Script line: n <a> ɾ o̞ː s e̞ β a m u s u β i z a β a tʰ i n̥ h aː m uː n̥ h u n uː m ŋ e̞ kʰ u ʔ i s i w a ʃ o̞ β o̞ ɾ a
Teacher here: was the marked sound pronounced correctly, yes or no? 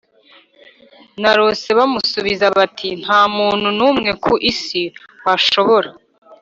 yes